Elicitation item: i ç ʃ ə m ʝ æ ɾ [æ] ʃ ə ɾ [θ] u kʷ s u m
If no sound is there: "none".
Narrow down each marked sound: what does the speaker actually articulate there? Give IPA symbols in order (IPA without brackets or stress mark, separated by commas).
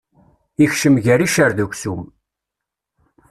i, ð